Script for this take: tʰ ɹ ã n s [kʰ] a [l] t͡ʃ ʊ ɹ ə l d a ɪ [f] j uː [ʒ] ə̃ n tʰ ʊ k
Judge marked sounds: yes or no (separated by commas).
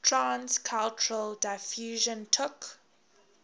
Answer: yes, yes, yes, yes